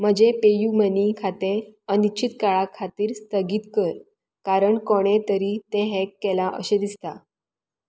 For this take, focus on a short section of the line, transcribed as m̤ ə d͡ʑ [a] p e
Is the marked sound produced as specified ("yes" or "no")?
no